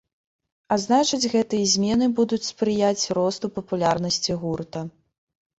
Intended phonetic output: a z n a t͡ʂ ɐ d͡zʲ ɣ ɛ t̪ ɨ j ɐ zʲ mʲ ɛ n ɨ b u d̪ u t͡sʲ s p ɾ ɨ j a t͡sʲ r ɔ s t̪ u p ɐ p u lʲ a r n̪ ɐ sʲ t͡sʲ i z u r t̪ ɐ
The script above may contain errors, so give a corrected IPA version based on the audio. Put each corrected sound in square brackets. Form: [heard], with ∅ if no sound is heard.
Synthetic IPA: a z n a t͡ʂ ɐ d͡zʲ ɣ ɛ t̪ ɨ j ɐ zʲ mʲ ɛ n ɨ b u d̪ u t͡sʲ s p ɾ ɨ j a t͡sʲ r ɔ s t̪ u p ɐ p u lʲ a r n̪ ɐ sʲ t͡sʲ i [ɣ] u r t̪ ɐ